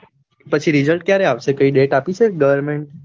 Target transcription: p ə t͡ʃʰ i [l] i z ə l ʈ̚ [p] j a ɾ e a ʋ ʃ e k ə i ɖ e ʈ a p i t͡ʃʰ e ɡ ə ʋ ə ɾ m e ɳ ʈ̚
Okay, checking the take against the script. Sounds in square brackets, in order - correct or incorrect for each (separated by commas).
incorrect, incorrect